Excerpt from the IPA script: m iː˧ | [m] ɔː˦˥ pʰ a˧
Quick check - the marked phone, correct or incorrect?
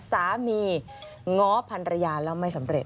incorrect: ŋ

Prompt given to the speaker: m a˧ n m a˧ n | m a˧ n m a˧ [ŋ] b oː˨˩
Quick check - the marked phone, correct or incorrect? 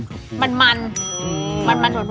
incorrect: n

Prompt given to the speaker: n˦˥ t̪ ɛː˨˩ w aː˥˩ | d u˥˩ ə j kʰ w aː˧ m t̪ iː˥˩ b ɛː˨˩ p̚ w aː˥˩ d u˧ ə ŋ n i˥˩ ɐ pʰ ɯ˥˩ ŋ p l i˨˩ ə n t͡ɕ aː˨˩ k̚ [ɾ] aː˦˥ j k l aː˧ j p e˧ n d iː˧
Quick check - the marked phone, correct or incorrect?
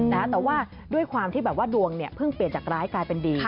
correct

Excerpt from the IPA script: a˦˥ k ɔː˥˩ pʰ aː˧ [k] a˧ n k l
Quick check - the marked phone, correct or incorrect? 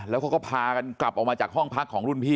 correct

